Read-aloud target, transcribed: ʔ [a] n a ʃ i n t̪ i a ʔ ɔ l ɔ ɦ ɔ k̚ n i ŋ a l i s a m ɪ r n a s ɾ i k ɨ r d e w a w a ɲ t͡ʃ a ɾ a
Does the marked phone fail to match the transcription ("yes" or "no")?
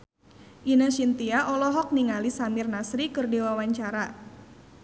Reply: yes